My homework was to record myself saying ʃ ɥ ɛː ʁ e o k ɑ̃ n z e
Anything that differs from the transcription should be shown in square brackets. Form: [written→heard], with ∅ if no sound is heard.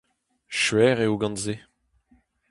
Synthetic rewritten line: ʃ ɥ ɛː ʁ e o [k→ɡ] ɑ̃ n z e